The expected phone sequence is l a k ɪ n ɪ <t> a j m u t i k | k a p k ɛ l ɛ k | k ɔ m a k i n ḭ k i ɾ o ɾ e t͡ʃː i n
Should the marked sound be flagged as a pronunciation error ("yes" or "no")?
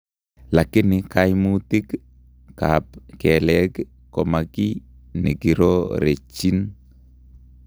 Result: yes